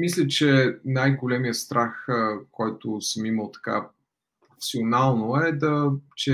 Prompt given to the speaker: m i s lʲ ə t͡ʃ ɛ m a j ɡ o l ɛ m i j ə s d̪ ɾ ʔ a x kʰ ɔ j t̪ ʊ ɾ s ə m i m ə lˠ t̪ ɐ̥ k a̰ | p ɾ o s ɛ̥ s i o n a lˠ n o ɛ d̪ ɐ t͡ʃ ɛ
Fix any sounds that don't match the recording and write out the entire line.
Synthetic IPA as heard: m i s lʲ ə t͡ʃ ɛ n a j ɡ o l ɛ m i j ə s t̪ ɾ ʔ a x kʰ ɔ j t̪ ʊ s ə m i m ə lˠ t̪ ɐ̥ k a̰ | p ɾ o f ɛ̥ s i o n a lˠ n o ɛ d̪ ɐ t͡ʃ ɛ